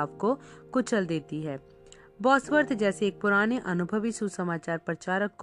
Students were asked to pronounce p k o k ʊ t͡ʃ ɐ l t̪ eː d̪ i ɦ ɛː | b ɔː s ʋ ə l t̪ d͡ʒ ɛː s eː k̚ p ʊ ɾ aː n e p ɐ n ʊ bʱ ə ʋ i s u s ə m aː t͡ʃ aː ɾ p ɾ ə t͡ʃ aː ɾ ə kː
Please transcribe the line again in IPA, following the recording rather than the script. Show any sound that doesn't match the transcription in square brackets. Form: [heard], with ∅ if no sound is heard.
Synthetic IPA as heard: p k o k ʊ t͡ʃ [ə] l [d̪] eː [t̪] i ɦ ɛː | b ɔː s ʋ ə [ɾ] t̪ d͡ʒ ɛː s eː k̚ p ʊ ɾ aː n e [ʔ] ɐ n ʊ bʱ ə ʋ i s u s ə m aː t͡ʃ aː ɾ p ɾ ə t͡ʃ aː ɾ ə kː